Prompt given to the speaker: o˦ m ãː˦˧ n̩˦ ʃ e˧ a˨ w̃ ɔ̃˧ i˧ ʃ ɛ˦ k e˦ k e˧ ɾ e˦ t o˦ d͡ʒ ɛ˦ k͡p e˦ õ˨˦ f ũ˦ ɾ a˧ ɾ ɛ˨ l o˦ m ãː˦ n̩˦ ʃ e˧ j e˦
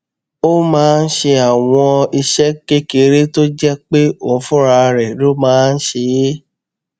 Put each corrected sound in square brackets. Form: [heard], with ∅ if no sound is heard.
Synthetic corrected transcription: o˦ m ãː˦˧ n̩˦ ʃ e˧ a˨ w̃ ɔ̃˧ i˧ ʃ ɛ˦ k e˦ k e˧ ɾ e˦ t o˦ d͡ʒ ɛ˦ k͡p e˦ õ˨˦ f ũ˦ ɾ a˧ ɾ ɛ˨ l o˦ m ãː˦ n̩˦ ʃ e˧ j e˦